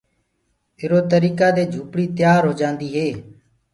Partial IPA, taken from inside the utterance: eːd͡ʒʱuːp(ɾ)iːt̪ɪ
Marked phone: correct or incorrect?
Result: incorrect